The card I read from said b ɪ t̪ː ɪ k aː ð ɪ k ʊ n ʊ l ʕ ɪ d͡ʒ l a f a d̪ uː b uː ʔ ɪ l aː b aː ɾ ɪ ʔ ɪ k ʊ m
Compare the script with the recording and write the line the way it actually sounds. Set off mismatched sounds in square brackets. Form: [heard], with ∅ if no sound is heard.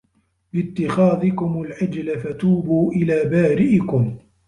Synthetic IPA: b ɪ t̪ː ɪ [x] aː ð ɪ k ʊ [m] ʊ l ʕ ɪ d͡ʒ l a f a [t̪] uː b uː ʔ ɪ l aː b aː ɾ ɪ ʔ ɪ k ʊ m